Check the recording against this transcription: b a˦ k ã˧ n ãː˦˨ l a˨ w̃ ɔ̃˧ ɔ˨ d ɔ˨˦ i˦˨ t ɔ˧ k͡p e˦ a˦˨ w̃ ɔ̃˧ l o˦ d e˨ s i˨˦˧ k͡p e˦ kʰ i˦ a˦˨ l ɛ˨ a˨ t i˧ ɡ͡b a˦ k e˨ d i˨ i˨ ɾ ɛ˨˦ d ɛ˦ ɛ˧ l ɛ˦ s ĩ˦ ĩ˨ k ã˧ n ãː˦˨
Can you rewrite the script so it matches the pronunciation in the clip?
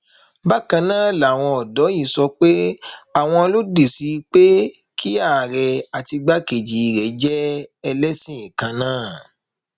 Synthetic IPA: b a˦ k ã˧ n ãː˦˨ l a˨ w̃ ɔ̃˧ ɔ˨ d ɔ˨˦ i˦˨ s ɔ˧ k͡p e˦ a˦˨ w̃ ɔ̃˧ l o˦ d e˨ s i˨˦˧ k͡p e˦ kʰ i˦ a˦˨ ɾ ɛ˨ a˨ t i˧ ɡ͡b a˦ k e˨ d͡ʒ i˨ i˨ ɾ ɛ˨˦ d͡ʒ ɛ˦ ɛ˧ l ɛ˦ s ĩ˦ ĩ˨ k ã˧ n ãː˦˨